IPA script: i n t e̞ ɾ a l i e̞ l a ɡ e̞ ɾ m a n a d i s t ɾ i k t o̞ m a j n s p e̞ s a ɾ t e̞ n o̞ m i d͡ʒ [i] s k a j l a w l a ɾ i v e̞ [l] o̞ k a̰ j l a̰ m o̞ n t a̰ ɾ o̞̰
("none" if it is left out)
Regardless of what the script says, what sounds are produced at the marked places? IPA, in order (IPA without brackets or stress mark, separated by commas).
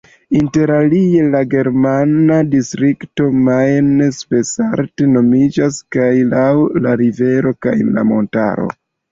a, ɾ